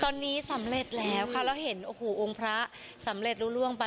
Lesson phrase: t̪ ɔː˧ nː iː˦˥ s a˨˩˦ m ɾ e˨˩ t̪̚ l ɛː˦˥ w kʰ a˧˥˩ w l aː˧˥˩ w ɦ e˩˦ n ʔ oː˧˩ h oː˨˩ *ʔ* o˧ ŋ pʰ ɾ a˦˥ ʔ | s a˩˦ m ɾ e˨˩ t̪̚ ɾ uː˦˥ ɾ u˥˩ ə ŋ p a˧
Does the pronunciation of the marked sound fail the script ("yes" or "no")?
no